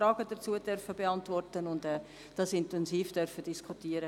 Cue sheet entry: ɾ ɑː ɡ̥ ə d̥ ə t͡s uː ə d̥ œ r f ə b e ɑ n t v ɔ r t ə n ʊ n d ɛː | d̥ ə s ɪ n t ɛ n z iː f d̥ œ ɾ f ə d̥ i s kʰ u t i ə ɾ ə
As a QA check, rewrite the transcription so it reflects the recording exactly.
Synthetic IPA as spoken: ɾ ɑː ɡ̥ ə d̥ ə t͡s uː ə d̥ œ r f ə b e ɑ n t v ɔ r t ə n ʊ n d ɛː | d̥ ɑ s ɪ n t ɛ n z iː f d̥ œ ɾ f ə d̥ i s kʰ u t i ə ɾ ə